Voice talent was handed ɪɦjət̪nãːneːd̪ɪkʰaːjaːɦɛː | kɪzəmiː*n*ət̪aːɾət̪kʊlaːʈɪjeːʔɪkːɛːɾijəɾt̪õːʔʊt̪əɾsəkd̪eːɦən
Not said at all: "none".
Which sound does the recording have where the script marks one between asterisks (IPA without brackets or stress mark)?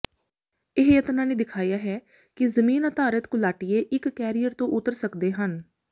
n